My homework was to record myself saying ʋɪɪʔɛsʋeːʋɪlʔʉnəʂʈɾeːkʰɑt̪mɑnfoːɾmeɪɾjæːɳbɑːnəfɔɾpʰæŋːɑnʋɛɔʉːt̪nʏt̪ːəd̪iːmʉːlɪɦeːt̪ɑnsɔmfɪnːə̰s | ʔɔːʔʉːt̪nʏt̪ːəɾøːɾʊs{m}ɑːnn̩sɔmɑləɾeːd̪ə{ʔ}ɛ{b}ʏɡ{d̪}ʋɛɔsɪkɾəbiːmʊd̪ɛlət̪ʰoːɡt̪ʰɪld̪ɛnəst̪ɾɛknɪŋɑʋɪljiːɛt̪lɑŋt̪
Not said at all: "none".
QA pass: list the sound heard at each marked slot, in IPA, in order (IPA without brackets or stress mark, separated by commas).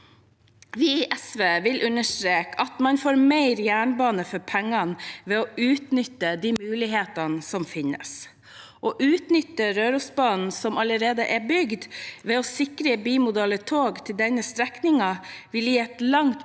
b, ʔ, b, d̪